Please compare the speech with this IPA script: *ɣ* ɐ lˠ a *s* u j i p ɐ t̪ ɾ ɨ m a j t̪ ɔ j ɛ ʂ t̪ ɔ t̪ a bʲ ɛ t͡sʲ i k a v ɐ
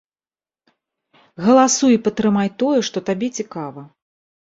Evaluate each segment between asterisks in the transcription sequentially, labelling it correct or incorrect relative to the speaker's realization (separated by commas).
correct, correct